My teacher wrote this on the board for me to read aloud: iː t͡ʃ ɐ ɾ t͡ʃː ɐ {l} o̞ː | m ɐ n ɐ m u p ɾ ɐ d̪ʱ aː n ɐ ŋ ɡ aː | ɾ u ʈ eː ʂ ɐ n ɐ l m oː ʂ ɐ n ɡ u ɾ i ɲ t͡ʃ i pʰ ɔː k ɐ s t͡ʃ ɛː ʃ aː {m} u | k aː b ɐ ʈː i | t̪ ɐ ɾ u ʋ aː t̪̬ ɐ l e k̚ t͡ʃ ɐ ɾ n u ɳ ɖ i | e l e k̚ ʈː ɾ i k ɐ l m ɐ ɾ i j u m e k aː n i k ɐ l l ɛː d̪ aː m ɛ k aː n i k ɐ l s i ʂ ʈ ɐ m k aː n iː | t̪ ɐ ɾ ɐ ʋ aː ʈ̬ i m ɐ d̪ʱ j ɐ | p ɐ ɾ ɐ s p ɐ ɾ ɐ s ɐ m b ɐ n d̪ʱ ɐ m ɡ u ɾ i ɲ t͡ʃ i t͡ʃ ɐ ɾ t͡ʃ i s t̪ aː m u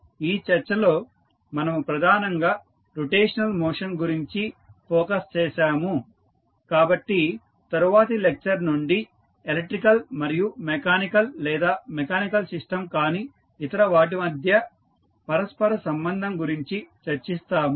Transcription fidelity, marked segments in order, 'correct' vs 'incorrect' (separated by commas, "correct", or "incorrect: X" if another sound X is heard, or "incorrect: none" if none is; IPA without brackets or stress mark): correct, correct